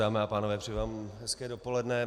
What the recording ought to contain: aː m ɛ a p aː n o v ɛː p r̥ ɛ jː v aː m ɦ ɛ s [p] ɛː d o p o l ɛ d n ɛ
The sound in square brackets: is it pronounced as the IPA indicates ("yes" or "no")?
no